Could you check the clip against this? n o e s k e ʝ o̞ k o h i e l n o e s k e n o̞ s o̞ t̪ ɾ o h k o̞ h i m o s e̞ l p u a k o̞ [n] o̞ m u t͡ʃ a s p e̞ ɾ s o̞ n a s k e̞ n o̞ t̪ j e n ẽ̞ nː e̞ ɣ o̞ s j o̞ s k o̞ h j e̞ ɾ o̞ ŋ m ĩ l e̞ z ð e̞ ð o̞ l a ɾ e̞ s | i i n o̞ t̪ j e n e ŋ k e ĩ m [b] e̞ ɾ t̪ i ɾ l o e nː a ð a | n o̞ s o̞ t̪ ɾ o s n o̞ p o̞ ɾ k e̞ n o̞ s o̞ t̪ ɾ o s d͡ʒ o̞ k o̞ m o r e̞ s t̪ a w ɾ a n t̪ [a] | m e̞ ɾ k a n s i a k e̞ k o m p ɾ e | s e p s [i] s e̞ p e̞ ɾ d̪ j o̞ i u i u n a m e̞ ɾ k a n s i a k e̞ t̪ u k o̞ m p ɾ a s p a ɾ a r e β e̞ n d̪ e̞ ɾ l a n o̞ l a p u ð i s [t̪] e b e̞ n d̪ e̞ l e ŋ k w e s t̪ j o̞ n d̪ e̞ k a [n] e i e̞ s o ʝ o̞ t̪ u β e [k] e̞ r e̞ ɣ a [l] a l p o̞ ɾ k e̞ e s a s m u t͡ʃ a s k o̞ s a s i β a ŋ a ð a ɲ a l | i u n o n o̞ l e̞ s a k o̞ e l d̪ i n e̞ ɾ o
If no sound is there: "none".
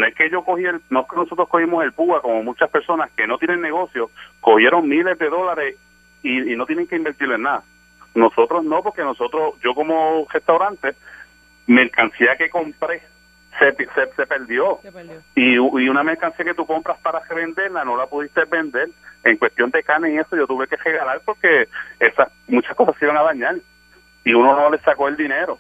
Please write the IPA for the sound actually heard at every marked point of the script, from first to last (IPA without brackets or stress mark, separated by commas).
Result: m, b, e, e, t̪, n, k, l